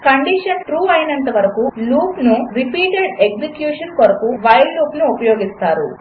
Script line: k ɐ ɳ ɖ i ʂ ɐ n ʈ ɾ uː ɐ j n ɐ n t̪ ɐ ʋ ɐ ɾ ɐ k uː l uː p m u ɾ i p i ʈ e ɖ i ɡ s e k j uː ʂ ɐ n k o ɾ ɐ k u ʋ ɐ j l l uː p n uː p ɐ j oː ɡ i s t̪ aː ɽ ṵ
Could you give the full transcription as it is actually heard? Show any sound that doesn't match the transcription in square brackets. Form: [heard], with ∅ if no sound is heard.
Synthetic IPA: k ɐ ɳ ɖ i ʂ ɐ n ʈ ɾ uː ɐ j n ɐ n t̪ ɐ ʋ ɐ ɾ ɐ k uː l uː p [n] u ɾ i p [iː] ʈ e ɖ [e] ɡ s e k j uː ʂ ɐ n k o ɾ ɐ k u ʋ ɐ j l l uː p n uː p ɐ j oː ɡ i s t̪ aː [ɾ] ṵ

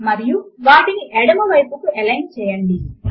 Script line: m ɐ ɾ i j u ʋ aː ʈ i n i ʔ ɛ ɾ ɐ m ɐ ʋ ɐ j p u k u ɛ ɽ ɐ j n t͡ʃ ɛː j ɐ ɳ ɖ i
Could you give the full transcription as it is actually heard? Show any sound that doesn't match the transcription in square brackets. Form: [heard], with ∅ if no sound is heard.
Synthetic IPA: m ɐ ɾ i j u ʋ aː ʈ i n i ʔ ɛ [ɽ] ɐ m ɐ ʋ ɐ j p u k u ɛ [l] ɐ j n t͡ʃ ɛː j ɐ ɳ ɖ i

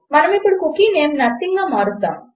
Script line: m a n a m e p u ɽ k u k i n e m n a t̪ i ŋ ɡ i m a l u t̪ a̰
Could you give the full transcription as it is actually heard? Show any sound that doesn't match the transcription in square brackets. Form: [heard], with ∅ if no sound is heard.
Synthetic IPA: m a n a m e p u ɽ k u k i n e m n a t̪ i ŋ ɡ [a] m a [ɾ] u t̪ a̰

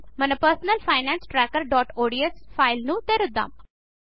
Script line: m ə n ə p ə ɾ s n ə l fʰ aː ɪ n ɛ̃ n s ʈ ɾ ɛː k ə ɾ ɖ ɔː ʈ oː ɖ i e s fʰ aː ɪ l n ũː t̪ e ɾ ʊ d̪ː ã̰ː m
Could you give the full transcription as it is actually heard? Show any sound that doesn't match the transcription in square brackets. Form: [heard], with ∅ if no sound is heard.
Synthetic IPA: m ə n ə p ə ɾ s n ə l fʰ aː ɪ n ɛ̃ n s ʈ ɾ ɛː k ə ɾ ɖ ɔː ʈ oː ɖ i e s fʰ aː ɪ l n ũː t̪ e ɾ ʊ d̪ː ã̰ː m

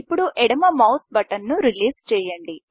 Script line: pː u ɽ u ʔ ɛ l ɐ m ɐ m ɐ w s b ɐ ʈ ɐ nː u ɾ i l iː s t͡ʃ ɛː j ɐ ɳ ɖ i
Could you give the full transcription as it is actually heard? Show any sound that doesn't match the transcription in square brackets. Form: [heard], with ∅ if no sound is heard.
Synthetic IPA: pː u ɽ u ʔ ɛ [ɽ] ɐ m ɐ m ɐ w s b ɐ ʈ ɐ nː u ɾ i l iː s t͡ʃ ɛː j ɐ ɳ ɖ i

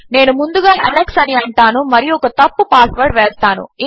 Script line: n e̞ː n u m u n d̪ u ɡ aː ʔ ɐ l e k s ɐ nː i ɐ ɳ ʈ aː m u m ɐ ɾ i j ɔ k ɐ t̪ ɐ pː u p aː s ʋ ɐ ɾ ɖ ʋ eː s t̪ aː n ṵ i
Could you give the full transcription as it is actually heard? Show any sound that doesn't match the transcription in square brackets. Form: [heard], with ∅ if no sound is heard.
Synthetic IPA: n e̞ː n u m u n d̪ u ɡ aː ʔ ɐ l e k s ɐ [n] i ɐ ɳ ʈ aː [n] u m ɐ ɾ i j ɔ k ɐ t̪ ɐ pː u p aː s ʋ ɐ ɾ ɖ ʋ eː s t̪ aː n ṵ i

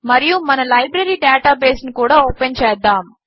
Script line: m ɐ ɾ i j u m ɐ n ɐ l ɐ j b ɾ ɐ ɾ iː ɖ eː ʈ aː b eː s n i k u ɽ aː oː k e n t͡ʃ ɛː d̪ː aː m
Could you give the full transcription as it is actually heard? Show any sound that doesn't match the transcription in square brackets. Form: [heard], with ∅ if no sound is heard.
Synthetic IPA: m ɐ ɾ i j u m ɐ n ɐ l ɐ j b ɾ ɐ ɾ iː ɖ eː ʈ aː b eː s n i k [uː] ɽ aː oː [p] e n t͡ʃ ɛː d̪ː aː m

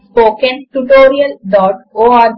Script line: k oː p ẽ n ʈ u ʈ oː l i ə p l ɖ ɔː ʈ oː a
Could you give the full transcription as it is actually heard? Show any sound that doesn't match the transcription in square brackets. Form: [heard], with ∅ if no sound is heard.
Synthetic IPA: [p] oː [k] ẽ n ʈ u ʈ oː [ɾ] i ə [∅] l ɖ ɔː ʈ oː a

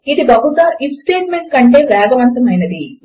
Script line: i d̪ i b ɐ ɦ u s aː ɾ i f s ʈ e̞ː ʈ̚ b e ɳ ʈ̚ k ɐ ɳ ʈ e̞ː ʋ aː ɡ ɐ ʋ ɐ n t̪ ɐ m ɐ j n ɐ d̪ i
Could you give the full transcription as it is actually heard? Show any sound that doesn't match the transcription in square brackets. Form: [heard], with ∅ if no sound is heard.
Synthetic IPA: i d̪ i b ɐ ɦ u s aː ɾ i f s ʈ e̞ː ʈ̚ [m] e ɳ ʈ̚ k ɐ ɳ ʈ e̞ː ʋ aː ɡ ɐ ʋ ɐ n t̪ ɐ m ɐ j n ɐ d̪ i

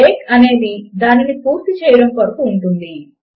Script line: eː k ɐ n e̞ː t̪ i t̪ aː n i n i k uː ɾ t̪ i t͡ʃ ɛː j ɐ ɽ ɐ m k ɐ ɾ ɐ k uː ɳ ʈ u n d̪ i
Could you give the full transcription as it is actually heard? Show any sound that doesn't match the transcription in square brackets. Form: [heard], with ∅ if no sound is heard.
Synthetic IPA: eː k ɐ n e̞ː [d̪] i [d̪] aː n i n i [p] uː ɾ t̪ i t͡ʃ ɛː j ɐ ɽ ɐ m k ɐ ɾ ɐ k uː ɳ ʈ u n d̪ i

